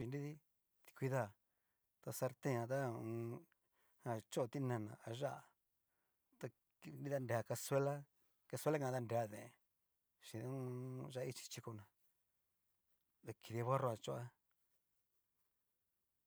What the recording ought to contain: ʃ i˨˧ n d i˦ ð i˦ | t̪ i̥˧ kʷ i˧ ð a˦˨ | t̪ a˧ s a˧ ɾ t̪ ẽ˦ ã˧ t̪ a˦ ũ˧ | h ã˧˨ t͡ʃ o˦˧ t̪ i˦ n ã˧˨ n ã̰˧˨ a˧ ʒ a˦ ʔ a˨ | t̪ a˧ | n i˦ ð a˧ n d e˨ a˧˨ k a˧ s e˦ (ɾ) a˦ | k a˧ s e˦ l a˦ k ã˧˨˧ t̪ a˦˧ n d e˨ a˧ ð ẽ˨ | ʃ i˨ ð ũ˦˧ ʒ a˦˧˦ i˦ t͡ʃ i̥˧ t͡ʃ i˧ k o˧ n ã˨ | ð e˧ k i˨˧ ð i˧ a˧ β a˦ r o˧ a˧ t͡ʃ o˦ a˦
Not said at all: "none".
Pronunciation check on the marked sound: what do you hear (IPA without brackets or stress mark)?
l